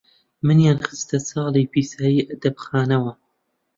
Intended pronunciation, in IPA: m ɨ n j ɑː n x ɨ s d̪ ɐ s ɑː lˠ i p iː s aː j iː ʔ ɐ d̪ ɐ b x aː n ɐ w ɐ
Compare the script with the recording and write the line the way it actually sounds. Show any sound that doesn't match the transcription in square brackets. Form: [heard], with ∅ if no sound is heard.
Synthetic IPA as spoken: m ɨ n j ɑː n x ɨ s [t̪] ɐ s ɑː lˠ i p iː s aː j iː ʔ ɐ d̪ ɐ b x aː n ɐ w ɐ